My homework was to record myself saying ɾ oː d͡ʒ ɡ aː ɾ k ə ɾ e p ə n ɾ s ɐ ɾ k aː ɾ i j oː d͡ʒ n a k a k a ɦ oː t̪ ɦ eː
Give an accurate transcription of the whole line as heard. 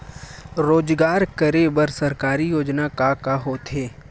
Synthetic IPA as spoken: ɾ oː d͡ʒ ɡ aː ɾ k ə ɾ e b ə ɾ s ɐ ɾ k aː ɾ i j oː d͡ʒ n a k a k a ɦ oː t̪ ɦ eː